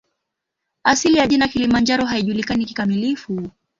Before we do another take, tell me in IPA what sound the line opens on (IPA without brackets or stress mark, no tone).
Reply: a